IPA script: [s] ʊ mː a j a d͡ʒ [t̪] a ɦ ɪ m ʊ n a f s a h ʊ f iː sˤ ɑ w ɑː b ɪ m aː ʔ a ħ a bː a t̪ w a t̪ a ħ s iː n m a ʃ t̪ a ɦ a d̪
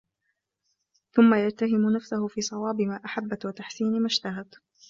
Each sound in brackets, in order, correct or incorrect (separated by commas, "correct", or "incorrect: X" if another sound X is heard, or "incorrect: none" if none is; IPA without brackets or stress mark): incorrect: θ, correct